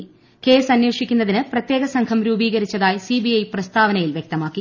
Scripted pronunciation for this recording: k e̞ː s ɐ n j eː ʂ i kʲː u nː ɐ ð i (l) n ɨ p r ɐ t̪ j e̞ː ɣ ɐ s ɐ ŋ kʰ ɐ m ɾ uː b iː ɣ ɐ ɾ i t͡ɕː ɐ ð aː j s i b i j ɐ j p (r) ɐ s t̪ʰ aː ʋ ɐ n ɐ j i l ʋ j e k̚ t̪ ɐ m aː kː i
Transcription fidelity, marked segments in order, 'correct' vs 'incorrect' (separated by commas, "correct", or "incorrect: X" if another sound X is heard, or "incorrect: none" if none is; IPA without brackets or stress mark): incorrect: none, correct